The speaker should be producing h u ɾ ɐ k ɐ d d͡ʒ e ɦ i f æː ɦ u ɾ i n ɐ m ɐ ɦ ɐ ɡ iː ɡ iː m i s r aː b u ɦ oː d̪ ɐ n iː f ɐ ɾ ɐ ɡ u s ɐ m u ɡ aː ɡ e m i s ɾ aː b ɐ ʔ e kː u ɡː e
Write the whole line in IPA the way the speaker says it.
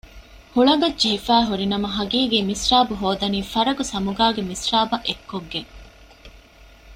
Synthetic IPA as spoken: h u ɭ ɐ ɡ ɐ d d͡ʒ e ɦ i f æː ɦ u ɾ i n ɐ m ɐ ɦ ɐ ɡ iː ɡ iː m i s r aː b u ɦ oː d̪ ɐ n iː f ɐ ɾ ɐ ɡ u s ɐ m u ɡ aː ɡ e m i s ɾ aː b ɐ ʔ e kː o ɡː e